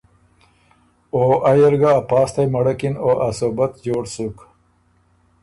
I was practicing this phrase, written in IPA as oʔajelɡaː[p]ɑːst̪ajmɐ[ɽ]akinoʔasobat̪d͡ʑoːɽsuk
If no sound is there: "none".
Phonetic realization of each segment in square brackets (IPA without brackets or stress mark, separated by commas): p, ɽ